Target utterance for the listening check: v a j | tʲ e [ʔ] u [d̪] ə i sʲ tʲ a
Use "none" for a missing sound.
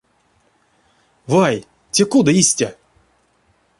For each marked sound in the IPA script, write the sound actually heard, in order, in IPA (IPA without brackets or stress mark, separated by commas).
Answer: k, d̪